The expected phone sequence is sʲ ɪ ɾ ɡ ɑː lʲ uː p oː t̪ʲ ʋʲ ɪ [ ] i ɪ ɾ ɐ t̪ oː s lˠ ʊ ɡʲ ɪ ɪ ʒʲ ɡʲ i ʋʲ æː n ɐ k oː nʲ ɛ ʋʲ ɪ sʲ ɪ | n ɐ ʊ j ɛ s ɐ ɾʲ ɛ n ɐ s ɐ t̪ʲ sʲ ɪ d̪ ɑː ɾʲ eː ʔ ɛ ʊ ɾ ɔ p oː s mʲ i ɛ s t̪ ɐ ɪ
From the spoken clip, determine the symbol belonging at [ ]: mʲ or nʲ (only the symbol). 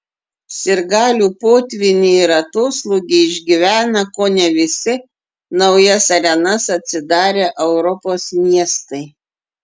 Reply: nʲ